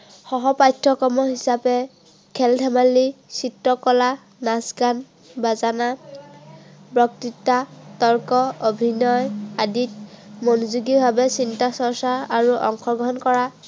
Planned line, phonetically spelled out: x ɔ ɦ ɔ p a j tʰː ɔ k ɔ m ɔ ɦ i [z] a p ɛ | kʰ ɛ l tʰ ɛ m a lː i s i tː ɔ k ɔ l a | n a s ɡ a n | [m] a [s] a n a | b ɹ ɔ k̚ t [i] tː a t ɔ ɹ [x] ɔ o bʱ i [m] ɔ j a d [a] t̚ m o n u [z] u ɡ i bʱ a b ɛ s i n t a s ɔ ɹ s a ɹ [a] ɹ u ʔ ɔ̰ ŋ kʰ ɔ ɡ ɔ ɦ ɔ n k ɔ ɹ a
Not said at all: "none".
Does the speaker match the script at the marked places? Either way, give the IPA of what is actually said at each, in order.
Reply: s, b, z, i, k, n, i, z, a

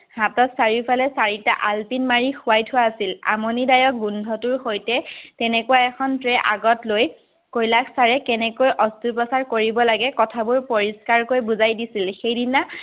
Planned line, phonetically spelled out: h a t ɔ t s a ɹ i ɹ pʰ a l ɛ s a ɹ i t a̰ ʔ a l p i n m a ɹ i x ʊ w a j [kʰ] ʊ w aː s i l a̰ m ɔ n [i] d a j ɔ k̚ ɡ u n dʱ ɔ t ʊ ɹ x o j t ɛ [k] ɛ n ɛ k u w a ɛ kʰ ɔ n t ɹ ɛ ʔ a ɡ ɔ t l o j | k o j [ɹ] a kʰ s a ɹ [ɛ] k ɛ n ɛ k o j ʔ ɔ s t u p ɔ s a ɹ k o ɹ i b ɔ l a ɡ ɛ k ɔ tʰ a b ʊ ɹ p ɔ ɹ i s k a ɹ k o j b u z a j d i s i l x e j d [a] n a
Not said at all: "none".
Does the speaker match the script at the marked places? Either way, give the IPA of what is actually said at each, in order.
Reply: tʰ, i, t, l, ɛ, i

